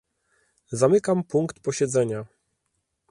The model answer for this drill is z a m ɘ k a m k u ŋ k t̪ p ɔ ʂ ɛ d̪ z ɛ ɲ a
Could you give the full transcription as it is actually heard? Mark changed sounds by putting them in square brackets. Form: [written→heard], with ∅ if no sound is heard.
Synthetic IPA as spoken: z a m ɘ k a m [k→p] u ŋ k t̪ p ɔ [ʂ→ɕ] ɛ d̪ z ɛ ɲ a